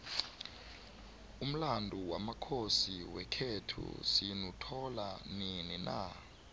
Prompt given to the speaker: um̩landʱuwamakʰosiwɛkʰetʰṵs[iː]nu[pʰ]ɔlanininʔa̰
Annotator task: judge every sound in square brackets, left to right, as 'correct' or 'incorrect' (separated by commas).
incorrect, incorrect